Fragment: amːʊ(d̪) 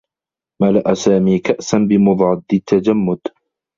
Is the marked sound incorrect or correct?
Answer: correct